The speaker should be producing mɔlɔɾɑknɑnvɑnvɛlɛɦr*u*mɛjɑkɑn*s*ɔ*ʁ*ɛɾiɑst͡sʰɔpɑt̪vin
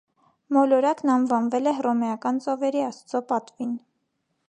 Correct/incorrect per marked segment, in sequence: incorrect, incorrect, incorrect

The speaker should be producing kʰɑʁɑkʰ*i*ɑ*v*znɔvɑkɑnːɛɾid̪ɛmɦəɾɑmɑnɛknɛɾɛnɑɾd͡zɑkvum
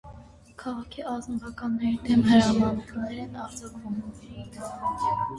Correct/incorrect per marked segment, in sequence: correct, incorrect

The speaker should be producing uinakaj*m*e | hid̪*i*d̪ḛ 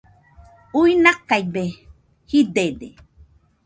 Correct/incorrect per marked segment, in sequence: incorrect, incorrect

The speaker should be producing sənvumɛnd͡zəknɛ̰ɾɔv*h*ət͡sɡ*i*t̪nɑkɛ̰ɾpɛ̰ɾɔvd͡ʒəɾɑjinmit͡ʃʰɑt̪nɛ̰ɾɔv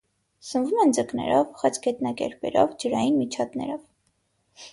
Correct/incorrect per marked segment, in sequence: incorrect, incorrect

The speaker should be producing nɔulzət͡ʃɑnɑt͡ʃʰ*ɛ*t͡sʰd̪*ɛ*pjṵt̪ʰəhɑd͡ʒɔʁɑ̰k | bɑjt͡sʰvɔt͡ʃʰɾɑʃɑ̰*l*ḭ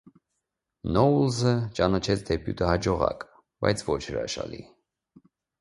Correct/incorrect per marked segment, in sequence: correct, correct, correct

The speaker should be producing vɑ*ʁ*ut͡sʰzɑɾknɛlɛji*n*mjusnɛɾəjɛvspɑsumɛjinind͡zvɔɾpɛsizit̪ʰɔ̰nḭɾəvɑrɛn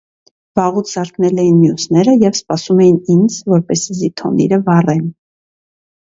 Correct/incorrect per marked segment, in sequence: correct, correct

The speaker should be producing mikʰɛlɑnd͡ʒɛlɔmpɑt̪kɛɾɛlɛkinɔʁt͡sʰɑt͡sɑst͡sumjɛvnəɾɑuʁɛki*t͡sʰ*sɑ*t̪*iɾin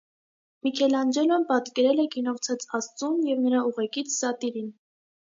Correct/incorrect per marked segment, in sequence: correct, correct

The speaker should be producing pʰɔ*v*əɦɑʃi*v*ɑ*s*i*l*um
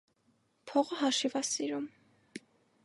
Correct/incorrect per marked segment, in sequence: incorrect, correct, correct, incorrect

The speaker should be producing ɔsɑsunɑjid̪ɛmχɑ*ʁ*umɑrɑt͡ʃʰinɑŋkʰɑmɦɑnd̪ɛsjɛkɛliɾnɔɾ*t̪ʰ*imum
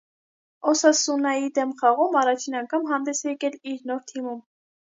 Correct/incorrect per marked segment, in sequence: correct, correct

